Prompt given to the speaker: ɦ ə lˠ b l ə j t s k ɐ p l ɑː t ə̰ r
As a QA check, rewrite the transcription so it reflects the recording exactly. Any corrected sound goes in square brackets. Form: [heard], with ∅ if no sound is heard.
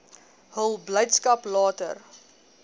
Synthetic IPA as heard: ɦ ə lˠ b l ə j t s k ɐ p l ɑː t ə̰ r